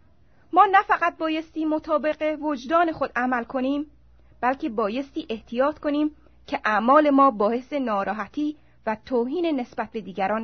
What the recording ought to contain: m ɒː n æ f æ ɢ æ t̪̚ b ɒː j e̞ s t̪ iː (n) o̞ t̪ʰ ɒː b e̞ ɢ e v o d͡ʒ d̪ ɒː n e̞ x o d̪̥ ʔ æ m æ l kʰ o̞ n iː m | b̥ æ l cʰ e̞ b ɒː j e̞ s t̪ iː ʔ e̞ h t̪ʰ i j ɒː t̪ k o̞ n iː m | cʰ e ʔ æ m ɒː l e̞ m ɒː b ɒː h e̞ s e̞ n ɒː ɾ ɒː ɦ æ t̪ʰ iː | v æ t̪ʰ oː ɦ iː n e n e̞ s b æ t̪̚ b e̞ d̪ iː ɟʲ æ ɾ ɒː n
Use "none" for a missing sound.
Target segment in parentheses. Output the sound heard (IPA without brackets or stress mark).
m